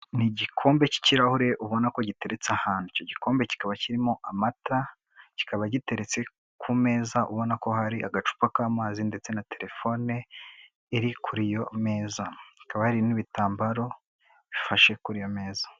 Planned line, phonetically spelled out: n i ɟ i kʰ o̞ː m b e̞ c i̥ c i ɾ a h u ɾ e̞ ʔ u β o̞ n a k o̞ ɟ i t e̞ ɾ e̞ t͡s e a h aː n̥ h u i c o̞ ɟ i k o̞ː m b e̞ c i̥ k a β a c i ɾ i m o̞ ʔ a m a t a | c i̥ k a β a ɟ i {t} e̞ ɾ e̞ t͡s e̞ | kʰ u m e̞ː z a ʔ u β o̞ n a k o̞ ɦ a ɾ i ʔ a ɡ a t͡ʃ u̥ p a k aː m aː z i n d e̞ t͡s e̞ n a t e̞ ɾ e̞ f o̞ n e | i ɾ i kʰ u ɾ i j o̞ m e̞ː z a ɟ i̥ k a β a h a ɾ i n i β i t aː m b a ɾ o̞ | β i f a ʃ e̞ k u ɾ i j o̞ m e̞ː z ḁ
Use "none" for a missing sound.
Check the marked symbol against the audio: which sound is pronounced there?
t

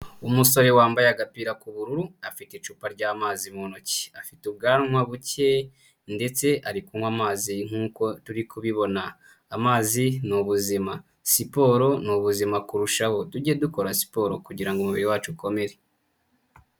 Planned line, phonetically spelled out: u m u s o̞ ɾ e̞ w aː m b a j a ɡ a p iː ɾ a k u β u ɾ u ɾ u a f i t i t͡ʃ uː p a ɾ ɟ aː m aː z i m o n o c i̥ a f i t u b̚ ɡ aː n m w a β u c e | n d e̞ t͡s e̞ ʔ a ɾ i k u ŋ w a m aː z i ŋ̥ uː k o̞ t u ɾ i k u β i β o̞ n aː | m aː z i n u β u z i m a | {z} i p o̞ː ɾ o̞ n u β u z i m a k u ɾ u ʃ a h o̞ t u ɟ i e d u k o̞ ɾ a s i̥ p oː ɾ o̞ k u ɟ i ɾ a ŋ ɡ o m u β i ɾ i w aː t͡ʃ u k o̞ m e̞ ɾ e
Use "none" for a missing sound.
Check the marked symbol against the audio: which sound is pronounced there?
s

